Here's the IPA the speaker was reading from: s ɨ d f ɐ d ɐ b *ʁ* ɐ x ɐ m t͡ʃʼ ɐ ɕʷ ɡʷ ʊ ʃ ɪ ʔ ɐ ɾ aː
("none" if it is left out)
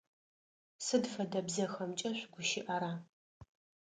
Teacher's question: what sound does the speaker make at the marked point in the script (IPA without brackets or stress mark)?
z